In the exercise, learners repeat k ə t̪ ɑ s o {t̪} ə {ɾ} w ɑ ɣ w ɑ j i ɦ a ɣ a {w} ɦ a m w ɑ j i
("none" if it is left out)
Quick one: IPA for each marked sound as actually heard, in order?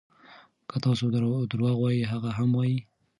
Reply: d̪, ɾ, none

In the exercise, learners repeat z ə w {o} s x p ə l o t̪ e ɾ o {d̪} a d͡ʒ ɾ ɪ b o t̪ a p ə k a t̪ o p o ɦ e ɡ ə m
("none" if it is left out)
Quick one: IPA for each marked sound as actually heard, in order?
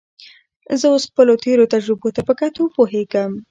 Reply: o, t̪

